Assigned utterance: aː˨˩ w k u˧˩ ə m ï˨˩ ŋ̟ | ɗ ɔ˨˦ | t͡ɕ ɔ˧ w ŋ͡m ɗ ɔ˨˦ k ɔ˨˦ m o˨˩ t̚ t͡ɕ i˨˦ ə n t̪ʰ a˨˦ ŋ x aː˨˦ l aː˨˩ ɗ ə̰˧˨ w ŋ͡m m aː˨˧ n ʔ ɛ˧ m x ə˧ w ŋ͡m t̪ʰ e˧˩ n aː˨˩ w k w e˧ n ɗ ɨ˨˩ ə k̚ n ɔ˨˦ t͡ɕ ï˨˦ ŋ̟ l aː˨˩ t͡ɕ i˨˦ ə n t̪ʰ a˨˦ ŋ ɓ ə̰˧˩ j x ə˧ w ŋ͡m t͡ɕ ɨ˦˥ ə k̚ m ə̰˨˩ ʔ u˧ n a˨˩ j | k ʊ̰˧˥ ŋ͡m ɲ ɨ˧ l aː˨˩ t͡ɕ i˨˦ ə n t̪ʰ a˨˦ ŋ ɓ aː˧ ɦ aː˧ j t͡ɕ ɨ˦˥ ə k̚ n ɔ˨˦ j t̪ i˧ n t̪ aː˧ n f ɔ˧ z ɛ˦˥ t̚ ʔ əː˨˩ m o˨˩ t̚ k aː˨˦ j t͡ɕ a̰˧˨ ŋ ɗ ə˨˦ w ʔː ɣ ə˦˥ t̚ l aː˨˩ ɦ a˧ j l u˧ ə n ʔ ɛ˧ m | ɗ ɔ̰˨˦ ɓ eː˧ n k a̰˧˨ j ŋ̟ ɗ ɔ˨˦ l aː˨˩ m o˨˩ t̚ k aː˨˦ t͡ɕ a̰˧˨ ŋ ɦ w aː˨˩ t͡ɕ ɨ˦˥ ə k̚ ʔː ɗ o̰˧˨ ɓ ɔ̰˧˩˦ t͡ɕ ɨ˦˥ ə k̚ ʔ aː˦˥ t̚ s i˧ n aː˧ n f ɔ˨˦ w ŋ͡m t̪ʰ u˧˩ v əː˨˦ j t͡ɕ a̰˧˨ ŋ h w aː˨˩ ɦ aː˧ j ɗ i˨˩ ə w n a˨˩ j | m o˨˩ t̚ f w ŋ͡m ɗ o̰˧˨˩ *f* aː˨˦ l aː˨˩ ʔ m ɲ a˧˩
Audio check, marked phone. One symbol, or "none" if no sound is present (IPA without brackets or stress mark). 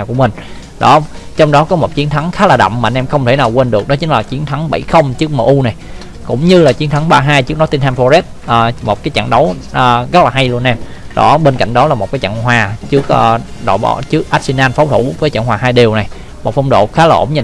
x